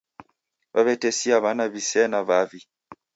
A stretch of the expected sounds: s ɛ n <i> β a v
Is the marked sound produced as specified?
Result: no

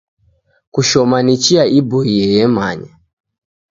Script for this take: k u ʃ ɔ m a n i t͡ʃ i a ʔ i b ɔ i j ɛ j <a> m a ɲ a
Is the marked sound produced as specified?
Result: no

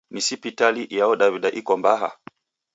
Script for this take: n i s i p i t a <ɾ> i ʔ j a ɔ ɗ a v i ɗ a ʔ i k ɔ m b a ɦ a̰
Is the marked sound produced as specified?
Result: no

